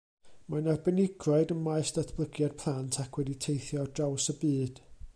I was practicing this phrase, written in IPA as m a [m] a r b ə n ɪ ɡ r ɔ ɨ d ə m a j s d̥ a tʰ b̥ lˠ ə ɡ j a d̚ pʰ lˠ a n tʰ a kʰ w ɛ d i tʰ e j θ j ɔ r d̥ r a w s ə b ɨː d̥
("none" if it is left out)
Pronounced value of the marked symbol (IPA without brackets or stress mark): n